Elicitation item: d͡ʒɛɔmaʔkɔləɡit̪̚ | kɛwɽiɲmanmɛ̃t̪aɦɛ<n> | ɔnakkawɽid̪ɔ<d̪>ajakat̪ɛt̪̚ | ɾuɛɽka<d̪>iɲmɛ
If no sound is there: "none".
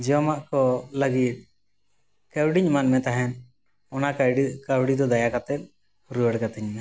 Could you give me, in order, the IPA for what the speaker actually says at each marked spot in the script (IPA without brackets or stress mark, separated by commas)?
n, d̪, t̪